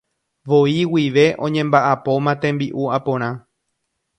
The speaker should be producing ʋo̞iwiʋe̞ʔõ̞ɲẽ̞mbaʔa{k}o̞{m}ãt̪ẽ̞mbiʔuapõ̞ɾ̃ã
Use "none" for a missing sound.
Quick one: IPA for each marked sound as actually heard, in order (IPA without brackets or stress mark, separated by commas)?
p, m